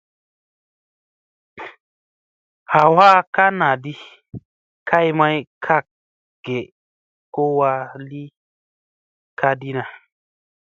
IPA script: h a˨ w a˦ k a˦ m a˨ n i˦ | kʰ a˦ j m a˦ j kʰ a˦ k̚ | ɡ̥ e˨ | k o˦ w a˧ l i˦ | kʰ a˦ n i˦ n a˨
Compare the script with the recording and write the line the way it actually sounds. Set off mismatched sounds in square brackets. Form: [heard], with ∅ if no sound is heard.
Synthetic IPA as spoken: h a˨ w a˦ k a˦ [n] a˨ [d] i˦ | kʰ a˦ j m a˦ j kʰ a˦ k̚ | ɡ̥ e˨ | k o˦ w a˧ l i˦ | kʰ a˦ [d] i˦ n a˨